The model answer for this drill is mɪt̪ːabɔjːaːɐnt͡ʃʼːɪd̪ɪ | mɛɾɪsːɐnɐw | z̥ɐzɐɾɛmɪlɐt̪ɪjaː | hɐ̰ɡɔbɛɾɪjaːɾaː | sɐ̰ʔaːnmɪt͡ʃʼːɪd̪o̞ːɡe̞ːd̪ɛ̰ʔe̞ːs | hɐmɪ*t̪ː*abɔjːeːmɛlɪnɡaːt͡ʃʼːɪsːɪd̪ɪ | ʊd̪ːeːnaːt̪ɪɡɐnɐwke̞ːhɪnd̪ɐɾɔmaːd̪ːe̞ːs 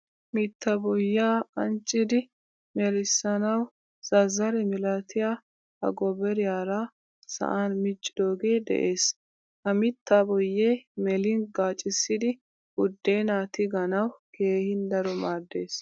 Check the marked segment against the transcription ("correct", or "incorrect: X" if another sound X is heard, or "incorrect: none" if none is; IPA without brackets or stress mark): correct